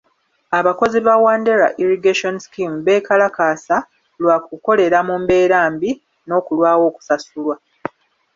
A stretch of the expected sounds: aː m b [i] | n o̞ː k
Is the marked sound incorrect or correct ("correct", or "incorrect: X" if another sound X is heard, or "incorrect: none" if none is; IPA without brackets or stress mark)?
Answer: correct